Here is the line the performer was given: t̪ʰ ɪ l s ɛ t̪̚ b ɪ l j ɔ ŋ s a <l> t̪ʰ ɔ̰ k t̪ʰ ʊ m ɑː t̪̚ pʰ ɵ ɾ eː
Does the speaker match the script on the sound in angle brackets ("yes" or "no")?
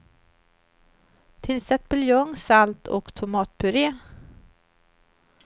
yes